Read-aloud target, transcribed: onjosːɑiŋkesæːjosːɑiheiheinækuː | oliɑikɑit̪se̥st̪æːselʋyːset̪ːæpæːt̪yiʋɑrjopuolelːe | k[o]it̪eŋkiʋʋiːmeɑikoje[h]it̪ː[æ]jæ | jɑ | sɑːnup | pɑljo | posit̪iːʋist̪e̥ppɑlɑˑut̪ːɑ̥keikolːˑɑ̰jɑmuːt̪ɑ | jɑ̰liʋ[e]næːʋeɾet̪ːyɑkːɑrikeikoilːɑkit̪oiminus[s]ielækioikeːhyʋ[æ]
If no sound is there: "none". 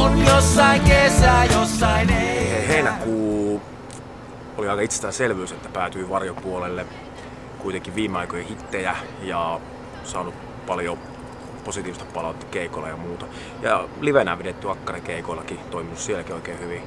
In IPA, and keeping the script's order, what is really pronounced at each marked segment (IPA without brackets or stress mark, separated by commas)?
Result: u, h, e, e, s, i